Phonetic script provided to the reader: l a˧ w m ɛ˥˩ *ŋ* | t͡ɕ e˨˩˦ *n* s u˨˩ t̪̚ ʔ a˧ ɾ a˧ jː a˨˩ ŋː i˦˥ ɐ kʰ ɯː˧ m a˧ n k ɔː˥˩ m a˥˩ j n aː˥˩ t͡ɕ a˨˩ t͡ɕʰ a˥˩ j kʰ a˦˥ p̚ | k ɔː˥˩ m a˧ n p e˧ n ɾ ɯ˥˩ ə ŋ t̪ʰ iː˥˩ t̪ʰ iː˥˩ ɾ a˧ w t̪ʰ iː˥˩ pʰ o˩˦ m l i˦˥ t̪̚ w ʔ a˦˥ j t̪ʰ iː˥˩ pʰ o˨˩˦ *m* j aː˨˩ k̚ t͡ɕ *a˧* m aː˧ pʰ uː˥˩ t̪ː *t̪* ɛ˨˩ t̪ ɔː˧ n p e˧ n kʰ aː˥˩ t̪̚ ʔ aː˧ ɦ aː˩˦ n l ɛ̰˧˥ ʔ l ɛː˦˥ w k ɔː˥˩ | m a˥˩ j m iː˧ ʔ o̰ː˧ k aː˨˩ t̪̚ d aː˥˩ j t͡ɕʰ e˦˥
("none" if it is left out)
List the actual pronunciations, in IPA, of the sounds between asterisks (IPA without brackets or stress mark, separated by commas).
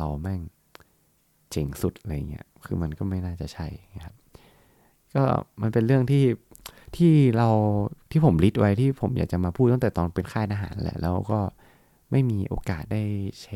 ŋ, ŋ, m, a˨˩, t̪